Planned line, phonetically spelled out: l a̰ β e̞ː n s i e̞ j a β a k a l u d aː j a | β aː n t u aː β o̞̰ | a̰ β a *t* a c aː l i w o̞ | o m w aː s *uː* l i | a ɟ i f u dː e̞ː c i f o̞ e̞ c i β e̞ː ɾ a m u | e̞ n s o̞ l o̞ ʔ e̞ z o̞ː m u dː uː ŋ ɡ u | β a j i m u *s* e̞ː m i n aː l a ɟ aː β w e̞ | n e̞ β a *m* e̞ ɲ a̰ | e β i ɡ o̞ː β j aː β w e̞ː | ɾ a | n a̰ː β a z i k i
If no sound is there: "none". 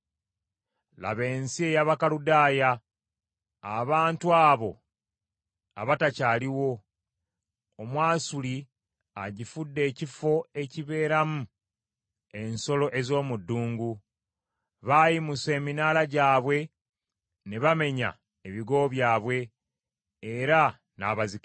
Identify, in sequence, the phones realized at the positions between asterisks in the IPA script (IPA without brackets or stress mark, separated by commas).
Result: t, u, s, m